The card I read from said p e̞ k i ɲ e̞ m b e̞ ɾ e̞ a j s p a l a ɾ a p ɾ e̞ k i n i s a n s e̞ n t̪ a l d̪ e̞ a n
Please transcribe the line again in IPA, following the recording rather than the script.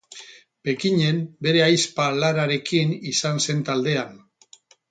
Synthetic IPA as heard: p e̞ k i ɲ e̞ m b e̞ ɾ e̞ a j s p a l a ɾ a ɾ e̞ k i n i s a n s e̞ n t̪ a l d̪ e̞ a n